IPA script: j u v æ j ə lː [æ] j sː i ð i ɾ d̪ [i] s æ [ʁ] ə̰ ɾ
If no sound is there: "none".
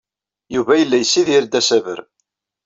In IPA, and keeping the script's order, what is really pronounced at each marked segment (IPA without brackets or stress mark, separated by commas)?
æ, æ, v